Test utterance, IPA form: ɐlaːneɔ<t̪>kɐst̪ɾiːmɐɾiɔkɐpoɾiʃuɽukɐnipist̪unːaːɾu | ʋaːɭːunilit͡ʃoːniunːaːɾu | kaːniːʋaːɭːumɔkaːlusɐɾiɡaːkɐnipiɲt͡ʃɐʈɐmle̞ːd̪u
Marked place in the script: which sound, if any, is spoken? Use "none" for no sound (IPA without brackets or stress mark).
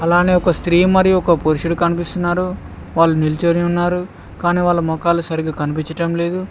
none